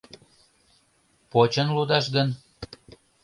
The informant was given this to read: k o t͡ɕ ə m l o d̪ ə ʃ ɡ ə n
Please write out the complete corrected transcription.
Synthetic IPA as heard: p o t͡ɕ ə n l u d̪ ɑ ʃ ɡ ə n